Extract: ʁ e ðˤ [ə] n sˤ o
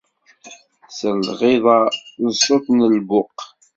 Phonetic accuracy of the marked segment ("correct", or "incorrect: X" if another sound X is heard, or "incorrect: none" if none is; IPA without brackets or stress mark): incorrect: ɑ